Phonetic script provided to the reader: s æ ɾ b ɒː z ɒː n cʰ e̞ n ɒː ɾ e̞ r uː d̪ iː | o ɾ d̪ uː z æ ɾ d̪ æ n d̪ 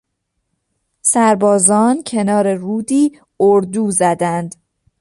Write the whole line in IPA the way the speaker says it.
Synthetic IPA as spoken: s æ ɾ b ɒː z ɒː n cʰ e̞ n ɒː ɾ e̞ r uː d̪ iː | o ɾ d̪ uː z æ d̪ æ n d̪